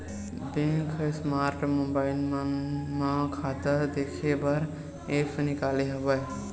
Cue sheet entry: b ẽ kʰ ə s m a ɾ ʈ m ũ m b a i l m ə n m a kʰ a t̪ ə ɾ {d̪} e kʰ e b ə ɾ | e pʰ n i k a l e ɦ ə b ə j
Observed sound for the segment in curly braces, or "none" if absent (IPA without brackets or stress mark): d̪